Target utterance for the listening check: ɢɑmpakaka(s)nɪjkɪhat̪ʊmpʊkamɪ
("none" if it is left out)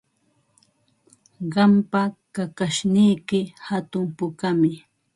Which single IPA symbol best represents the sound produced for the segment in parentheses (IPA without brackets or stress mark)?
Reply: ʃ